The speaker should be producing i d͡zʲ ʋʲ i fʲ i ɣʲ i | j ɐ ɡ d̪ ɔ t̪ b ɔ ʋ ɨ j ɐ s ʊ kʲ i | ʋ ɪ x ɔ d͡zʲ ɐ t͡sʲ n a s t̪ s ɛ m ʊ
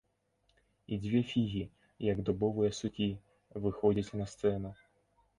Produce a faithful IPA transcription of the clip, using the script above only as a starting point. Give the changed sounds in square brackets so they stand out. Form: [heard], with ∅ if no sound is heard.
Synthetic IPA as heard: i d͡zʲ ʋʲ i fʲ i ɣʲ i | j ɐ ɡ d̪ ɔ [∅] b ɔ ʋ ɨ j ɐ s ʊ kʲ i | ʋ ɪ x ɔ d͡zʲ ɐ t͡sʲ n [ɐ] s t̪ s ɛ [n] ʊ